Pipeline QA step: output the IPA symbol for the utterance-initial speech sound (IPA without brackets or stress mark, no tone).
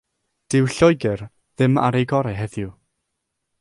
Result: d̥